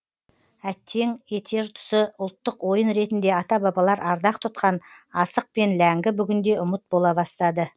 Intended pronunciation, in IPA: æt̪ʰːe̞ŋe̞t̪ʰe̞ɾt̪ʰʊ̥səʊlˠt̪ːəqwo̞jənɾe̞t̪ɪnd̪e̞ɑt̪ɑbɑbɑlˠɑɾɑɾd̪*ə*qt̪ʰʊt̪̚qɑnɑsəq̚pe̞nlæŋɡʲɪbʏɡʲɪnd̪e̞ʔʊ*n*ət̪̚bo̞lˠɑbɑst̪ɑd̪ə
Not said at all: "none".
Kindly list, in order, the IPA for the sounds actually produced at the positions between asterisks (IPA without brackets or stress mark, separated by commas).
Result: ɑ, m